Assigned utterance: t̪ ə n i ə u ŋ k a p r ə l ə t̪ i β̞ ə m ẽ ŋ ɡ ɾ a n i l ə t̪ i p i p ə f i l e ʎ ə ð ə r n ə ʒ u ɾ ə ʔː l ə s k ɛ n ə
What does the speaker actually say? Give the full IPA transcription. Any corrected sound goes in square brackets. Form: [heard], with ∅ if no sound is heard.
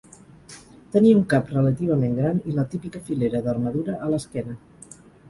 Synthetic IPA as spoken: t̪ ə n i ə u ŋ k a p r ə l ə t̪ i β̞ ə m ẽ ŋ ɡ ɾ a n i l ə t̪ i p i [k] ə f i l e [ɾ] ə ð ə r [m] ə [ð] u ɾ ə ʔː l ə s k ɛ n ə